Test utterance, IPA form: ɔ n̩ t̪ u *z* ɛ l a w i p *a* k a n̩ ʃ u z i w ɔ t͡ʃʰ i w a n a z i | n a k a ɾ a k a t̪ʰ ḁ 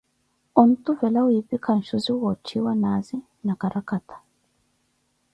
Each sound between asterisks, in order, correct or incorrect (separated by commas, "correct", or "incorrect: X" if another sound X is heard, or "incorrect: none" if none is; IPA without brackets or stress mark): incorrect: v, incorrect: i